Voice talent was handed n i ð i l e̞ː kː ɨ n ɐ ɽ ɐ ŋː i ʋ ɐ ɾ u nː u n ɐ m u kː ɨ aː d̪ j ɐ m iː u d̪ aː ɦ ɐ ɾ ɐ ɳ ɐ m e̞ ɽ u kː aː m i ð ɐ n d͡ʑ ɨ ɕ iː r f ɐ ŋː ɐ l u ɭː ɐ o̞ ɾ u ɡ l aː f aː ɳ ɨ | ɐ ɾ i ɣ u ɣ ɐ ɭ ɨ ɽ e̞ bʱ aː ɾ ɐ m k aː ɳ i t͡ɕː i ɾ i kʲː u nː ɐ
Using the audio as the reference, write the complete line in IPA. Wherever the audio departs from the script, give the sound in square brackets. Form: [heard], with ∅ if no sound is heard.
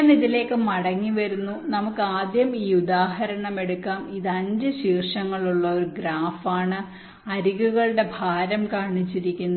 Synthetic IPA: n i ð i l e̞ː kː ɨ [m] ɐ ɽ ɐ ŋː i ʋ ɐ ɾ u nː u n ɐ m u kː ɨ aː d̪ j ɐ m iː u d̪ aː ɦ ɐ ɾ ɐ ɳ ɐ m e̞ ɽ u kː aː m i ð ɐ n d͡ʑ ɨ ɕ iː r [ʂ] ɐ ŋː ɐ [ɭ] u ɭː ɐ o̞ ɾ u ɡ [ɾ] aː f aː ɳ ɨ | ɐ ɾ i ɣ u ɣ ɐ ɭ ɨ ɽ e̞ bʱ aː ɾ ɐ m k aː ɳ i t͡ɕː i ɾ i kʲː u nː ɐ